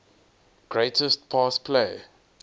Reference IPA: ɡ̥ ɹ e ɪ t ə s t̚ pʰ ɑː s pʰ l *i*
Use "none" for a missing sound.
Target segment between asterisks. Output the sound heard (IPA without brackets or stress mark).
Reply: e